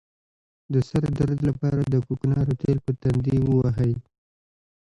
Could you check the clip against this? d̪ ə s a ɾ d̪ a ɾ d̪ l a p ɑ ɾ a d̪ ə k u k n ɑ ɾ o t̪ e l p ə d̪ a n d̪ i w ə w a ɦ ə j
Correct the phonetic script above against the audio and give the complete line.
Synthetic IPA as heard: d̪ ə s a ɾ d̪ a ɾ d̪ l a p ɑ ɾ a d̪ ə k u k n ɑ ɾ o t̪ e l p ə t̪ a n d̪ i w ə w a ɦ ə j

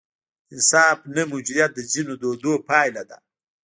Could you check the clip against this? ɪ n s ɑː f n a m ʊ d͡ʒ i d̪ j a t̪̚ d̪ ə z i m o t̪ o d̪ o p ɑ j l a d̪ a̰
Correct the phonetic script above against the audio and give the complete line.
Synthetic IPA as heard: ɪ n s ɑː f n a m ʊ d͡ʒ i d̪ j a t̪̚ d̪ ə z i n o d̪ o d̪ o p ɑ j l a d̪ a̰

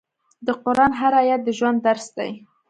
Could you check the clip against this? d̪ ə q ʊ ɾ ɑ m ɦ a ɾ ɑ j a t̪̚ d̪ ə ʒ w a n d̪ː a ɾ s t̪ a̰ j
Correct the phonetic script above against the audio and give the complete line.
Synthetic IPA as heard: d̪ ə q ʊ ɾ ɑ n ɦ a ɾ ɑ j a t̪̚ d̪ ə ʒ w a n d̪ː a ɾ s d̪ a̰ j

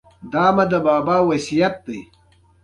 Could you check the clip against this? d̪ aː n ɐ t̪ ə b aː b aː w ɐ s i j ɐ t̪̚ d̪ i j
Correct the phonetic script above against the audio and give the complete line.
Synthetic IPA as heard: d̪ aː m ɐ d̪ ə b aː b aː w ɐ s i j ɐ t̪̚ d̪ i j

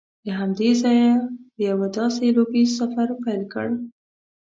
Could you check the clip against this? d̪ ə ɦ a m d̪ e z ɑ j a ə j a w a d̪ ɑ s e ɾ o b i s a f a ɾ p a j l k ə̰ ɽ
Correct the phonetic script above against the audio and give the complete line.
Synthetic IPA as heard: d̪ ə ɦ a m d̪ e z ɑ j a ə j a w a d̪ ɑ s e l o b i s a f a ɾ p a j l k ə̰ ɽ

